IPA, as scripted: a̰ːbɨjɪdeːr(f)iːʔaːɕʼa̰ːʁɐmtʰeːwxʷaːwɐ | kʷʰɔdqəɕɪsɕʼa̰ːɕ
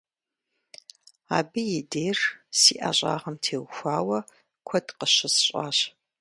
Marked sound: incorrect: s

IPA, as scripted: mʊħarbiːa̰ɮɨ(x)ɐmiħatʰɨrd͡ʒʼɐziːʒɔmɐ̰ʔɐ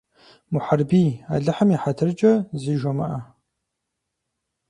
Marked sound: incorrect: ħ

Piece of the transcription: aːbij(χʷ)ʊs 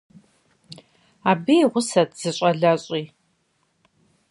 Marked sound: incorrect: ʁʷ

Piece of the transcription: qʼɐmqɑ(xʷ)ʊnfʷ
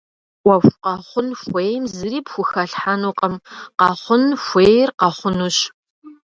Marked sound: incorrect: χʷ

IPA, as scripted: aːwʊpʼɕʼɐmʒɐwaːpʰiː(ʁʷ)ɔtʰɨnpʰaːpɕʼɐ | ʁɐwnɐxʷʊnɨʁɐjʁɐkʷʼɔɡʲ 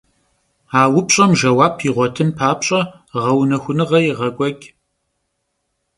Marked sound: correct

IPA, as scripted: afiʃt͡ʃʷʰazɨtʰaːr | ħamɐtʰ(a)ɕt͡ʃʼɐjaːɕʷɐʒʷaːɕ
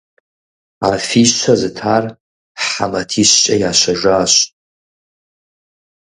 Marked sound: incorrect: i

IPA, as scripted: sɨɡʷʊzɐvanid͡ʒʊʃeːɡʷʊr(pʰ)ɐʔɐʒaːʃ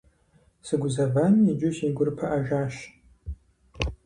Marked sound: correct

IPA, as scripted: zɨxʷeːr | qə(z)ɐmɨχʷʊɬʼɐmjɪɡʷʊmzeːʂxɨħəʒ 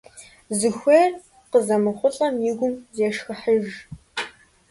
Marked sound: correct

